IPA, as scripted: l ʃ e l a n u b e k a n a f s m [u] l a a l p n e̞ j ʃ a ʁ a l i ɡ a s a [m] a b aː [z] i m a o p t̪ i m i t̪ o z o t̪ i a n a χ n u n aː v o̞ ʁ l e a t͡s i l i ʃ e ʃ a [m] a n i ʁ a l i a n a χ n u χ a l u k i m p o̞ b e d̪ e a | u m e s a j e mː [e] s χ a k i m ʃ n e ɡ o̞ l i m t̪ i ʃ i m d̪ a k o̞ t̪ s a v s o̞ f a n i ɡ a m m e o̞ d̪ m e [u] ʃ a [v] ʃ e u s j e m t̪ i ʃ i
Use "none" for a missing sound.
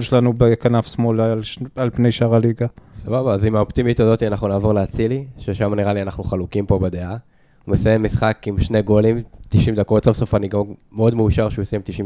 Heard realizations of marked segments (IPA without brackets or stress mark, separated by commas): o, b, z, m, i, u, ʁ